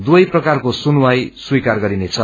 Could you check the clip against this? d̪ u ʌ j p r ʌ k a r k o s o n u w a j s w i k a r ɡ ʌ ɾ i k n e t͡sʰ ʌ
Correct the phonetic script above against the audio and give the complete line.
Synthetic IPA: d̪ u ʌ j p r ʌ k a r k o s u n u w a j s w i k a r ɡ ʌ ɾ i n e t͡sʰ ʌ